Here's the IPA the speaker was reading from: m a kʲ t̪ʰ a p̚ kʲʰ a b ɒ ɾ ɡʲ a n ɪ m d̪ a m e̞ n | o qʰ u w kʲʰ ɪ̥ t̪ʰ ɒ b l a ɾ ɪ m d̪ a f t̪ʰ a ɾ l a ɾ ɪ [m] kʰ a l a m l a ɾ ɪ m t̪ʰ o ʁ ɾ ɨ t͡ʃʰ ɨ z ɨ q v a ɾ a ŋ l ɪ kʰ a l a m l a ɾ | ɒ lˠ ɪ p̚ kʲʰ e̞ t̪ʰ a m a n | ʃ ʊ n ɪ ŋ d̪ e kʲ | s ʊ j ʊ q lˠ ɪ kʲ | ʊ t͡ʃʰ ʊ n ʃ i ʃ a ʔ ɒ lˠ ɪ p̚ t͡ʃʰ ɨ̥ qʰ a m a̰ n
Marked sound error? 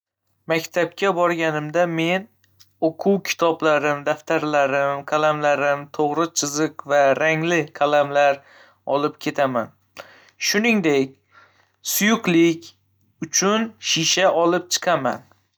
no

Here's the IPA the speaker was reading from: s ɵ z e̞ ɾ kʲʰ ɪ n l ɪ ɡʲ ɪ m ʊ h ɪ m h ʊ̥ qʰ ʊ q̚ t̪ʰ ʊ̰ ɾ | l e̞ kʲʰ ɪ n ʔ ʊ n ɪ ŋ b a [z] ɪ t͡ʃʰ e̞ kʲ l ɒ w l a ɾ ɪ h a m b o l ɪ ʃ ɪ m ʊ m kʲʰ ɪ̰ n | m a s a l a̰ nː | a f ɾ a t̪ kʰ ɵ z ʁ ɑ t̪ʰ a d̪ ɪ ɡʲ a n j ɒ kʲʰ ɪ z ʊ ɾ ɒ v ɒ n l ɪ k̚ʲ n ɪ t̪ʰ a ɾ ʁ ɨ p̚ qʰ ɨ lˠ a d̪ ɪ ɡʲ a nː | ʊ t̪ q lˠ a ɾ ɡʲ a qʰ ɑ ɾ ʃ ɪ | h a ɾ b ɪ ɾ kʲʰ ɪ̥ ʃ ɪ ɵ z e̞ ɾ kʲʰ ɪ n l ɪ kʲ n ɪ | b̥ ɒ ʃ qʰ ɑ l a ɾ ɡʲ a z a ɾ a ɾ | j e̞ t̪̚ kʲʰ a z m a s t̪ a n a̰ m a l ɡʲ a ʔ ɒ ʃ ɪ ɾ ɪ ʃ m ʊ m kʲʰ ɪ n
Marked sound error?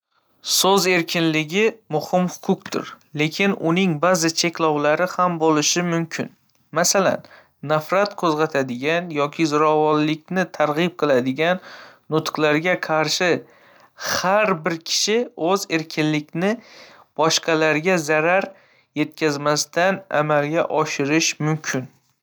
no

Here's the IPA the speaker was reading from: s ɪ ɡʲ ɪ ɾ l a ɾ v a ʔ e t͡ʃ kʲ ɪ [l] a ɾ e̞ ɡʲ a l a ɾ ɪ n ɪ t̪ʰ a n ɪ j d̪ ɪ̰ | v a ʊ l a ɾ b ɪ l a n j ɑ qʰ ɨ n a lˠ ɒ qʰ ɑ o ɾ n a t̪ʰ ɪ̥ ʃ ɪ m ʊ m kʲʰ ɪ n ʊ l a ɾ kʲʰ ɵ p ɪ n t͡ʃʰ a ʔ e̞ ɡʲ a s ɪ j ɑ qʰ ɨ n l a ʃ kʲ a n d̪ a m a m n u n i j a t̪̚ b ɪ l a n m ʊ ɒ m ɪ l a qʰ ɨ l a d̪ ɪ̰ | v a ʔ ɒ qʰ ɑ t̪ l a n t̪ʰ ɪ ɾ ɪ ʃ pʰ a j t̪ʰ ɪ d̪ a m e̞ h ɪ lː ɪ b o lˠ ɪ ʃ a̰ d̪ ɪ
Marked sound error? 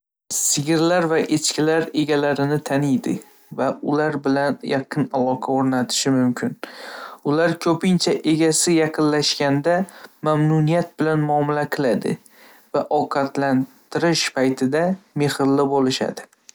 no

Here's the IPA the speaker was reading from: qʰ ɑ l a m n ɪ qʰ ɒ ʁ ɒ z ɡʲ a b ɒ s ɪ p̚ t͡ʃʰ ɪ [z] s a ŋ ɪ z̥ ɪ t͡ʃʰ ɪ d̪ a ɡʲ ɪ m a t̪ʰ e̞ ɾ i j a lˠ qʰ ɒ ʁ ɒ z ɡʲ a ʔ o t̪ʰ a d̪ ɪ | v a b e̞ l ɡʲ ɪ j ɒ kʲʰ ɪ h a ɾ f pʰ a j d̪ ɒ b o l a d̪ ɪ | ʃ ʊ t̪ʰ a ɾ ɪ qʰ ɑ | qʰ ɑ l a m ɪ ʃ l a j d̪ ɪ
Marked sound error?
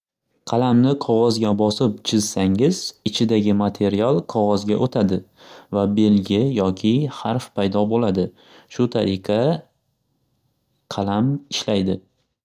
no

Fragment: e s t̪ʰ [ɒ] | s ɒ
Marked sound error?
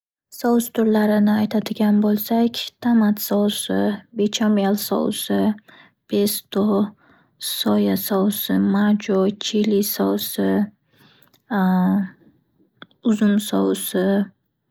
yes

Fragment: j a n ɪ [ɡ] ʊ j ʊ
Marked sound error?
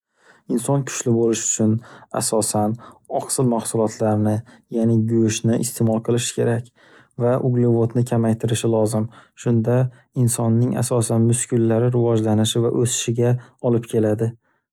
no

